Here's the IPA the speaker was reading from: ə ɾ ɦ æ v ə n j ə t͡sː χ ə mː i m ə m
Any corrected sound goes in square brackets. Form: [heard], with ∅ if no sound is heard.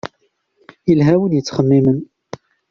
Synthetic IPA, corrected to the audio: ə [l] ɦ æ [w] ə n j ə t͡sː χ ə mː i m ə [n]